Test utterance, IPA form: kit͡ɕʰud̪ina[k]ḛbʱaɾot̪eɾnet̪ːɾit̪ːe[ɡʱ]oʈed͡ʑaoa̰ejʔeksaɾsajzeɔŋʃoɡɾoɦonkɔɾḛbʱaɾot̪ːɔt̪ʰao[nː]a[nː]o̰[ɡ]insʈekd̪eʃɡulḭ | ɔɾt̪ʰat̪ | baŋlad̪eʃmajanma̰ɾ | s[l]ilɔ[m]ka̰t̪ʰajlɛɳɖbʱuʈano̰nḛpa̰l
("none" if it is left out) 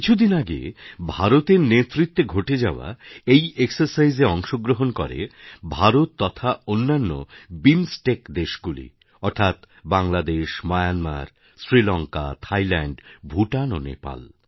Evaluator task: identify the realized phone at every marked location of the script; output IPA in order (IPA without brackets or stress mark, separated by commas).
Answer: ɡ, ɡʱ, nː, nː, b, ɾ, ŋ